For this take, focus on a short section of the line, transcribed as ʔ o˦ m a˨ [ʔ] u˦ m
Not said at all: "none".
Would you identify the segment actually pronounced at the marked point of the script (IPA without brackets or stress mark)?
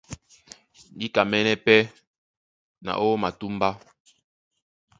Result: t